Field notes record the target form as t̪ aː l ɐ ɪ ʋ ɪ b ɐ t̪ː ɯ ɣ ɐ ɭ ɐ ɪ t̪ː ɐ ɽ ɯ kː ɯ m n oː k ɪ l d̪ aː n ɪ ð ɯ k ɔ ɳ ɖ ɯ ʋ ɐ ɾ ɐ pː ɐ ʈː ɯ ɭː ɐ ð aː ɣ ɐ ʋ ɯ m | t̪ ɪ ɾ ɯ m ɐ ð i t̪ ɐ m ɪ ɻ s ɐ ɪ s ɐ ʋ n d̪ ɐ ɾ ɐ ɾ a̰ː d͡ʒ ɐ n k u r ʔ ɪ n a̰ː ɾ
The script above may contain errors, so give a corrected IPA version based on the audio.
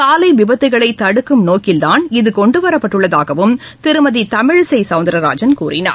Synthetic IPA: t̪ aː l ɐ ɪ ʋ ɪ b ɐ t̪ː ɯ ɣ ɐ ɭ ɐ ɪ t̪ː ɐ ɽ ɯ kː ɯ m n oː k ɪ l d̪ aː n ɪ ð ɯ k ɔ ɳ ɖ ɯ ʋ ɐ ɾ ɐ pː ɐ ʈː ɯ ɭː ɐ ð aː ɣ ɐ ʋ ɯ m | t̪ ɪ ɾ ɯ m ɐ ð i t̪ ɐ m ɪ ɻ s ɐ ɪ s ɐ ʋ n d̪ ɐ ɾ ɐ ɾ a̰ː d͡ʒ ɐ n k uː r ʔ ɪ n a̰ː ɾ